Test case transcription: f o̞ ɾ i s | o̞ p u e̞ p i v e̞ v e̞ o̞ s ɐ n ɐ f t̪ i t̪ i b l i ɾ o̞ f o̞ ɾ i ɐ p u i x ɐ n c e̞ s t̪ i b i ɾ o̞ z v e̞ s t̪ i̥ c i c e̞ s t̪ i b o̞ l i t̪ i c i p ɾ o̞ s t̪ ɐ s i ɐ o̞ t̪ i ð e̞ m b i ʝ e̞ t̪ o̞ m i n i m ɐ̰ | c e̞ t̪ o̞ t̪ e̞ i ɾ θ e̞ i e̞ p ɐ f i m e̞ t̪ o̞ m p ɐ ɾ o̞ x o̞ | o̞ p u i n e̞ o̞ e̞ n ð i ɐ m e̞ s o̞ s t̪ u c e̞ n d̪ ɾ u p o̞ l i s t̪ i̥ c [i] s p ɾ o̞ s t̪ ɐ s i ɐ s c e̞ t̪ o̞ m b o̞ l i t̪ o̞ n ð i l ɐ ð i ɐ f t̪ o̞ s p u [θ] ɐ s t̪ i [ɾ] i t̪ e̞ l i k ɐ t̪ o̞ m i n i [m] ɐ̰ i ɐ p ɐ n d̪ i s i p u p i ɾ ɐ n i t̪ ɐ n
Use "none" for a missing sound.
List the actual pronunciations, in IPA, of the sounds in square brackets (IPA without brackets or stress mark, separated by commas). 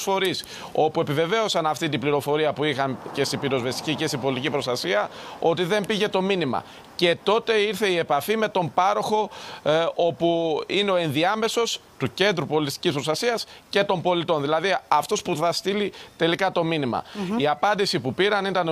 i, θ, l, m